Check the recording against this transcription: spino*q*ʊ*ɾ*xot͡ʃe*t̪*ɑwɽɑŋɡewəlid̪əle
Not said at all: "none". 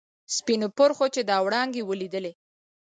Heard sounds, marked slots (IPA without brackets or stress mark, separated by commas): p, ɾ, d̪